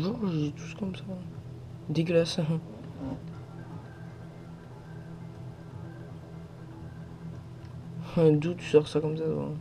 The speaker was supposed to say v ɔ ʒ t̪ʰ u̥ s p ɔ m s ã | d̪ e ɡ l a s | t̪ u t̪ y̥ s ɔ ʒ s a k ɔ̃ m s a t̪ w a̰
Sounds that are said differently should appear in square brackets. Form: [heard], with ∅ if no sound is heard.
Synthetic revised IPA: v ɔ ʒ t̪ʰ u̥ s [k] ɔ m s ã | d̪ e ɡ l a s | [d̪] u t̪ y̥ s ɔ [ʁ] s a k [ɔ] m s a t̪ w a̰